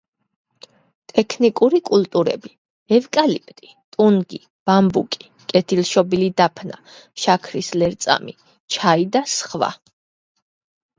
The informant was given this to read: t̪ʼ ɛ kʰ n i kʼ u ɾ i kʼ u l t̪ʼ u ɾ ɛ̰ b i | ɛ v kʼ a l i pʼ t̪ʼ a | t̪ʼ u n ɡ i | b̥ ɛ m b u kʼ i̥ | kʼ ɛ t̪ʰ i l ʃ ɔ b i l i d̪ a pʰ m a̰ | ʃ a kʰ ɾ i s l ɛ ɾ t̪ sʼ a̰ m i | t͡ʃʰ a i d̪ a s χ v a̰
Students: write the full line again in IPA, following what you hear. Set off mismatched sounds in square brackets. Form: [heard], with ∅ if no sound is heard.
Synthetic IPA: t̪ʼ ɛ kʰ n i kʼ u ɾ i kʼ u l t̪ʼ u ɾ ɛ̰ b i | ɛ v kʼ a l i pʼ t̪ʼ [i] | t̪ʼ u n ɡ i | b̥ [a] m b u kʼ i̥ | kʼ ɛ t̪ʰ i l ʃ ɔ b i l i d̪ a pʰ [n] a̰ | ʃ a kʰ ɾ i s l ɛ ɾ t̪ sʼ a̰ m i | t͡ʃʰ a i d̪ a s χ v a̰